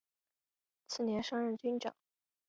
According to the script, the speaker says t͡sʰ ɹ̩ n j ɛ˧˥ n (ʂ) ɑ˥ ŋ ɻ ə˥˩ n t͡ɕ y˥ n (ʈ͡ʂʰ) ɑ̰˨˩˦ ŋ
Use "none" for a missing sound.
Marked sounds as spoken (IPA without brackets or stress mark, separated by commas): ʂ, ʈ͡ʂ